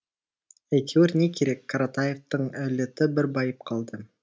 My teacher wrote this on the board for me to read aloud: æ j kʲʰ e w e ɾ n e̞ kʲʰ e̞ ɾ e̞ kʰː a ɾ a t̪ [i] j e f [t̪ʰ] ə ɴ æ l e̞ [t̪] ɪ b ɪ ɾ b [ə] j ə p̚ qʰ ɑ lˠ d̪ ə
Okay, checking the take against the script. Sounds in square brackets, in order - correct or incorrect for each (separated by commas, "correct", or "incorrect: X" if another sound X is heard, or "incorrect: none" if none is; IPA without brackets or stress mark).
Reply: incorrect: a, incorrect: t̪, correct, incorrect: ɑ